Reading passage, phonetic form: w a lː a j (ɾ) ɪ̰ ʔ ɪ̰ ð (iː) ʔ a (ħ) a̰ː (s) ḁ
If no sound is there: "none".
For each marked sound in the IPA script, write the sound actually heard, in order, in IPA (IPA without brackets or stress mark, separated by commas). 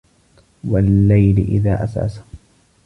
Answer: l, aː, s, s